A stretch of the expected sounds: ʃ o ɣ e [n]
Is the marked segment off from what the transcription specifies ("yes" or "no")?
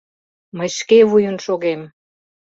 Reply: yes